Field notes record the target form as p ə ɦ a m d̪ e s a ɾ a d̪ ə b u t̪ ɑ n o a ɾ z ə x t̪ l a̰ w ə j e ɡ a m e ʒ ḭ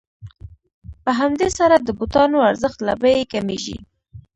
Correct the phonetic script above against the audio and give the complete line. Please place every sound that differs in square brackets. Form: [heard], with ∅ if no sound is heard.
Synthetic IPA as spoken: p ə ɦ a m d̪ e s a ɾ a d̪ ə b u t̪ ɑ n o a ɾ z ə x t̪ l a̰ [b] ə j e [k] a m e ʒ ḭ